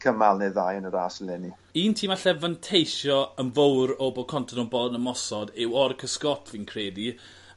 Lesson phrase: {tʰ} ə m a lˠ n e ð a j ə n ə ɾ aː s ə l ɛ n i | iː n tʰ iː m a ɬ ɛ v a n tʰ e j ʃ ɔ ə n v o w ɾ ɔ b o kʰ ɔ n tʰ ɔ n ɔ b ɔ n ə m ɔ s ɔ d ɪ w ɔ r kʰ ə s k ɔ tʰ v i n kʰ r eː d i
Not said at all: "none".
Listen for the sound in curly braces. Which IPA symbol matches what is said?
kʰ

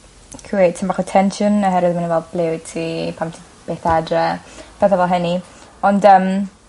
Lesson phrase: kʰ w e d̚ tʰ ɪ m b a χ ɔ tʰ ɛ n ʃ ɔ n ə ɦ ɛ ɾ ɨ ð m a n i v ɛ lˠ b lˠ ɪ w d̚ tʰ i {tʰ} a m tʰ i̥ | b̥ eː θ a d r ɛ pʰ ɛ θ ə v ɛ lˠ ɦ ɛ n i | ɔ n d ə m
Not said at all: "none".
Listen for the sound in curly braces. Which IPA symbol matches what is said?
pʰ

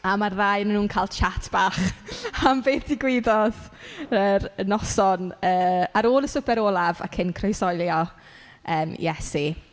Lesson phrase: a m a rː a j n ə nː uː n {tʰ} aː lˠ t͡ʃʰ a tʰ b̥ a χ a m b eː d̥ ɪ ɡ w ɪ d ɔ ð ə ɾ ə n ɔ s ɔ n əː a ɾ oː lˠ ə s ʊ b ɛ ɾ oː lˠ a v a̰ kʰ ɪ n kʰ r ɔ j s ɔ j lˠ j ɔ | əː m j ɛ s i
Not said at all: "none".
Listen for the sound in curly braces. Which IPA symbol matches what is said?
kʰ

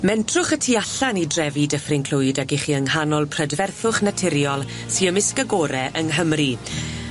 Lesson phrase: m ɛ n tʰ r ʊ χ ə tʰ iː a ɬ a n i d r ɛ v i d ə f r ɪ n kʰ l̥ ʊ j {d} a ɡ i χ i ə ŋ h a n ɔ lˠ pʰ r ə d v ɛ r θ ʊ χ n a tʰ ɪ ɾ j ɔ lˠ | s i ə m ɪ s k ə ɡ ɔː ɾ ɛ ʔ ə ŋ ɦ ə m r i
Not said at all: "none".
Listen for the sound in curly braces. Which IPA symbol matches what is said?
d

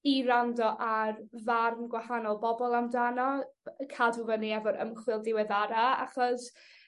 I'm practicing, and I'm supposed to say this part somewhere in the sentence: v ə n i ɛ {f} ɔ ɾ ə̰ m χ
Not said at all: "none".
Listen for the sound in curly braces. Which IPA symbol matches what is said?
v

